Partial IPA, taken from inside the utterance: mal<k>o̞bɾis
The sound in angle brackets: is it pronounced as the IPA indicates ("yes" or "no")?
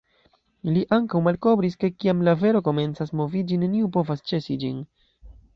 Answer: yes